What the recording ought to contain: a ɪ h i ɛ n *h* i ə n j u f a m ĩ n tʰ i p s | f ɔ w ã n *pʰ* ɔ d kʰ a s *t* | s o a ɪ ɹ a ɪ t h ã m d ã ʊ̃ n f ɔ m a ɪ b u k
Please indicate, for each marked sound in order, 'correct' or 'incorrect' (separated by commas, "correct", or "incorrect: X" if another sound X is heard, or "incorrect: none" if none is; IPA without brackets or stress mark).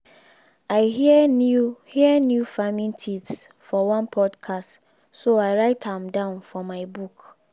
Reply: correct, correct, correct